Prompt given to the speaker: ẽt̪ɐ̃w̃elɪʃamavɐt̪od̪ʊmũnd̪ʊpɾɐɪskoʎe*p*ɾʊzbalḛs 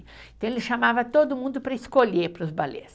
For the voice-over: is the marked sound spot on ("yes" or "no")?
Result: yes